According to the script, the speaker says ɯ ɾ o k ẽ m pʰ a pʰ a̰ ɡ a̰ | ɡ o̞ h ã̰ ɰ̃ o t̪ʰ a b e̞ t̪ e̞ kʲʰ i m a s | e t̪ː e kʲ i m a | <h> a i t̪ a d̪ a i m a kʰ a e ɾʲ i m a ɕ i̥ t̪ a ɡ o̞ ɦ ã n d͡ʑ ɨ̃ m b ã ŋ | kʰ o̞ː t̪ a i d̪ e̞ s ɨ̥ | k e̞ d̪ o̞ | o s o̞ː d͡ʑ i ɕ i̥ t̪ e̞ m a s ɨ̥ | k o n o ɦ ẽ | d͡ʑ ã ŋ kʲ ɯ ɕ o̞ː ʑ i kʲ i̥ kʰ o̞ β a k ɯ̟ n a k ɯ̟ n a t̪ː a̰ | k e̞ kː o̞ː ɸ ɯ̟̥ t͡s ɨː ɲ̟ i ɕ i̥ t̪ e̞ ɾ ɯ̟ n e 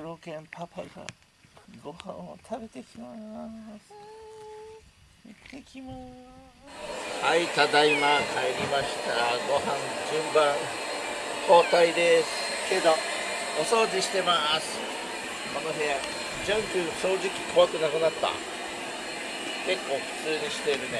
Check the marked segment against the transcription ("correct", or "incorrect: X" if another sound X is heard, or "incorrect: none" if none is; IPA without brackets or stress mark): correct